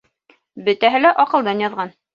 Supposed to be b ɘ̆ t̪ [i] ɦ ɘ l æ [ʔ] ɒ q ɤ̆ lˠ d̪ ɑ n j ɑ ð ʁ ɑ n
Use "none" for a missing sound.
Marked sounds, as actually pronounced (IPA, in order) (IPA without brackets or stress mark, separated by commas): æ, ʔ